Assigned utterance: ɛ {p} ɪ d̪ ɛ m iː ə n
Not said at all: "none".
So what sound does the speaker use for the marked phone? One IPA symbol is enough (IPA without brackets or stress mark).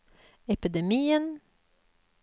p